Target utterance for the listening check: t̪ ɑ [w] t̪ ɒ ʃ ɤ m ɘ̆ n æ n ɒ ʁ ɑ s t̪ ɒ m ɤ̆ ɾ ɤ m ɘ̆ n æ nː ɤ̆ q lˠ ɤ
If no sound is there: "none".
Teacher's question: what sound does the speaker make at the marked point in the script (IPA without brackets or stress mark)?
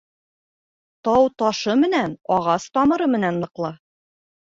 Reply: w